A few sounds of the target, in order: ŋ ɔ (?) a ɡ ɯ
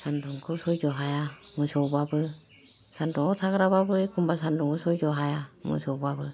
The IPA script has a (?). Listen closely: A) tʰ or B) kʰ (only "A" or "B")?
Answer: A